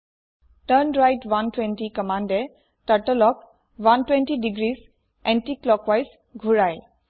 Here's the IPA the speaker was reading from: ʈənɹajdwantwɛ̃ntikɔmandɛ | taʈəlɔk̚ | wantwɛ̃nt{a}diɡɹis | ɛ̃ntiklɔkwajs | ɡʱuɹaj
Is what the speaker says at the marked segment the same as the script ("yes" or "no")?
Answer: no